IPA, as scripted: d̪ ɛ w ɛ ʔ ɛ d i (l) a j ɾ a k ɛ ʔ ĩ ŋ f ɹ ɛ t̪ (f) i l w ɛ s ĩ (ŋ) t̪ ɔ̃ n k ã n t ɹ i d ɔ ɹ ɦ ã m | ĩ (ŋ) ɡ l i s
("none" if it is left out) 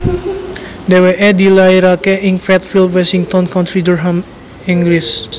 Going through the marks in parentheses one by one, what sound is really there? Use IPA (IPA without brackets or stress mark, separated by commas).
l, f, ŋ, ŋ